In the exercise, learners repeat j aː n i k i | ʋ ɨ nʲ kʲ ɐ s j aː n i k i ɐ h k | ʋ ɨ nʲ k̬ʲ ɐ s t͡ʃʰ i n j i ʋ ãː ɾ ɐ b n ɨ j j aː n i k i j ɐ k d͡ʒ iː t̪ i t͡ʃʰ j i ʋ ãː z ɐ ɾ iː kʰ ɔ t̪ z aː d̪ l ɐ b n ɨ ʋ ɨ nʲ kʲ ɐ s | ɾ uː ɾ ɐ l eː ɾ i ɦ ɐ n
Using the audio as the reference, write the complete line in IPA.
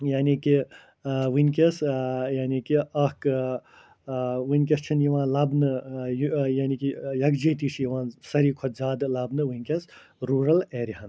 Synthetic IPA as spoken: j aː n i k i | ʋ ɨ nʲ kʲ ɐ s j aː n i k i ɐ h k | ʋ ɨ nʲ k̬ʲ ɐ s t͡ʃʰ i n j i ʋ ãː l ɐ b n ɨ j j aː n i k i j ɐ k d͡ʒ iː t̪ i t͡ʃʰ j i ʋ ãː s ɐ ɾ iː kʰ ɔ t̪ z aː d̪ l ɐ b n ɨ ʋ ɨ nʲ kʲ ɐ s | ɾ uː ɾ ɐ l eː ɾ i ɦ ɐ n